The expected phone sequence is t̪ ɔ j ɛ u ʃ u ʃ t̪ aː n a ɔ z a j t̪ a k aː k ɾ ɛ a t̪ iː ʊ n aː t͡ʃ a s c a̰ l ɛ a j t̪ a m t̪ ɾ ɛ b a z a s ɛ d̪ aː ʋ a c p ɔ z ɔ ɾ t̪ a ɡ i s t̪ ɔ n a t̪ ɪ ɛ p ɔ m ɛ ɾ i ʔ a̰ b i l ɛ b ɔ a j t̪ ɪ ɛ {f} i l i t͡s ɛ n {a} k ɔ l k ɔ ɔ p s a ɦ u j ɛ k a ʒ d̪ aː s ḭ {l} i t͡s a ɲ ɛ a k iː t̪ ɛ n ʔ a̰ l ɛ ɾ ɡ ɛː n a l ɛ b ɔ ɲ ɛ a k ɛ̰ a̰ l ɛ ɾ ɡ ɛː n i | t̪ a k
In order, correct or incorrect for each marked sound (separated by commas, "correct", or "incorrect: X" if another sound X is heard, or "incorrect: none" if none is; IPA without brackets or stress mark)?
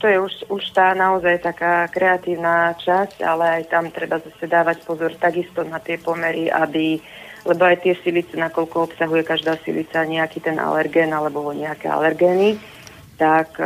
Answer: incorrect: s, correct, correct